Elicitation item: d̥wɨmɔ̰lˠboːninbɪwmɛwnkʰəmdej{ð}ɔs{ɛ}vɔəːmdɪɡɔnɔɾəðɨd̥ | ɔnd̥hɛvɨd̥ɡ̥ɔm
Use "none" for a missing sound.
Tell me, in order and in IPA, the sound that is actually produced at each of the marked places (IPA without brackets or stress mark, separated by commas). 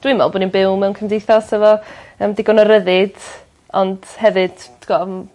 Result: θ, ɛ